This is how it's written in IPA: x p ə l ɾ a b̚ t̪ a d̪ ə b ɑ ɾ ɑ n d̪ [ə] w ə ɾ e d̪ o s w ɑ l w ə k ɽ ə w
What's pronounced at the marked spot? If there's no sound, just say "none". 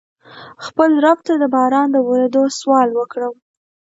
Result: ə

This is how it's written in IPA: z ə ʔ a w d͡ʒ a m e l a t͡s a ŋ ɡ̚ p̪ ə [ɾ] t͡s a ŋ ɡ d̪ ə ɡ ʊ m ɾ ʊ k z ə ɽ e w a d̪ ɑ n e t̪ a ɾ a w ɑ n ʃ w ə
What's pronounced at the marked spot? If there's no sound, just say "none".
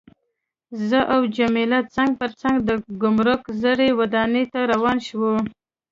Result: ɾ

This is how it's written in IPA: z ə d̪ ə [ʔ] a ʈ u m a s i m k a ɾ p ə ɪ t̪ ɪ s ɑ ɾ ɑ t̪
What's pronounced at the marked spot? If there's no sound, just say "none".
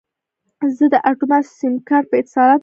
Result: ʔ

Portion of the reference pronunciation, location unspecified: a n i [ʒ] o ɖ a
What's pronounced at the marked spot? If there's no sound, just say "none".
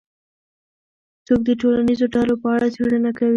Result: z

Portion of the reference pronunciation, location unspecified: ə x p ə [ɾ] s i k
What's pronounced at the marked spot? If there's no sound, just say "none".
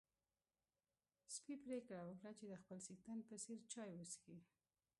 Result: l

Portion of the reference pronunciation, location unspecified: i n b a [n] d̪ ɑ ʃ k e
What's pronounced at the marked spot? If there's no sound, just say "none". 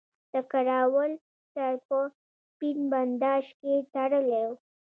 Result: n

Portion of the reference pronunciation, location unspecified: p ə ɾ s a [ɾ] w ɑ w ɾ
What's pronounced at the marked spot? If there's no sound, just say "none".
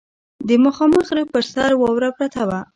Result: ɾ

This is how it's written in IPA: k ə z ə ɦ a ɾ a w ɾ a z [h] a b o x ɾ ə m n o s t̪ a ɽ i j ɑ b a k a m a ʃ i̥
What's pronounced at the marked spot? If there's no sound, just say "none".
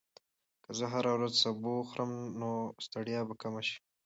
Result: s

